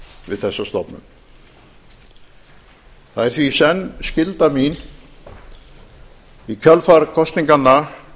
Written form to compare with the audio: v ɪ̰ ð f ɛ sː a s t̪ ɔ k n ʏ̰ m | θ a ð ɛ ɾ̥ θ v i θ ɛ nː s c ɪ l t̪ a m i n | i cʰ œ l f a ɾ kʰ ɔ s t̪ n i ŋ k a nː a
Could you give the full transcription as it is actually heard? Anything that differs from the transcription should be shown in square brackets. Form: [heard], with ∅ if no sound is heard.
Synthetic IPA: v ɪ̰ ð [θ] ɛ sː a s t̪ ɔ [p] n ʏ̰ m | θ a ð ɛ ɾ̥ θ v i [s] ɛ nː s c ɪ l t̪ a m i n | i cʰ œ l f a ɾ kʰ ɔ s t̪ n i ŋ k a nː a